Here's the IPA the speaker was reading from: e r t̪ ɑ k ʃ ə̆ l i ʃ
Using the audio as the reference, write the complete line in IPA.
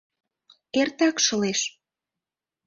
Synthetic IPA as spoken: e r t̪ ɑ k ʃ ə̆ l e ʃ